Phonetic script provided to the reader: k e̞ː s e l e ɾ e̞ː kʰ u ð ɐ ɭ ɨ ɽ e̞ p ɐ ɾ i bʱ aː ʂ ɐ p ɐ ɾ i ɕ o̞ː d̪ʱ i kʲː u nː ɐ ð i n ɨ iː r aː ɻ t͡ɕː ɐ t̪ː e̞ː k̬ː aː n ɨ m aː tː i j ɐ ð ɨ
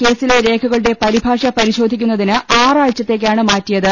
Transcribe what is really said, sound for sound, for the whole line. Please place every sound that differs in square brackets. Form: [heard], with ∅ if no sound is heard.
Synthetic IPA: k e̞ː s [i] l e ɾ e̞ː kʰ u [ɣ] ɐ ɭ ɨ ɽ e̞ p ɐ ɾ i bʱ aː ʂ ɐ p ɐ ɾ i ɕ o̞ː d̪ʱ i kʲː u nː ɐ ð i n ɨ [aː] r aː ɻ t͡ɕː ɐ t̪ː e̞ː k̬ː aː [ɳ] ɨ m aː tː i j ɐ ð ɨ